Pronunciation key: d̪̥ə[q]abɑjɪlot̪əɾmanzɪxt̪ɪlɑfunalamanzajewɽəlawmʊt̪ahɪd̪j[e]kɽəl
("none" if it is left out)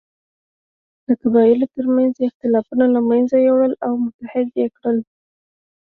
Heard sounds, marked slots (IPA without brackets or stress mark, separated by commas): k, e